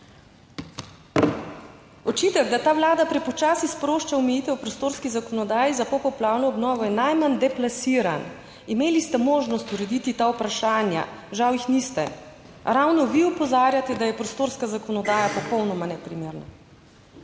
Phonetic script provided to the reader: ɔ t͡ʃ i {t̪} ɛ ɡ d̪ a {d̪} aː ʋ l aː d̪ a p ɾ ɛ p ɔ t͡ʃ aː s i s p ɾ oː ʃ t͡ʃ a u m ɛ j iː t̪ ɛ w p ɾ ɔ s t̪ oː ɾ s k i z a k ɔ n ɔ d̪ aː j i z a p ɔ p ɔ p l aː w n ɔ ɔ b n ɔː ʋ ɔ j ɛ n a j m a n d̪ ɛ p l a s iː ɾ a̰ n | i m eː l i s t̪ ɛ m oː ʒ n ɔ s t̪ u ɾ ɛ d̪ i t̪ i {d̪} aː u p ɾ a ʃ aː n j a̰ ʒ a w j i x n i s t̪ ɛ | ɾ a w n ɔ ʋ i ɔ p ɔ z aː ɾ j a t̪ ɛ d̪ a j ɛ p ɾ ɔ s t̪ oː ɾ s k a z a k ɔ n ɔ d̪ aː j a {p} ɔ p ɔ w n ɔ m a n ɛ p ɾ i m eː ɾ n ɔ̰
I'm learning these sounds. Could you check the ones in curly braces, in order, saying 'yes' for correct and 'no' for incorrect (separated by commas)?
yes, no, no, yes